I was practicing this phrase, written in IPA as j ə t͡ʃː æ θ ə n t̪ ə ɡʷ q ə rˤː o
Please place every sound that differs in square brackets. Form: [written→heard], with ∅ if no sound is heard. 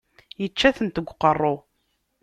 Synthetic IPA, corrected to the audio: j ə t͡ʃː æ θ ə n t̪ ə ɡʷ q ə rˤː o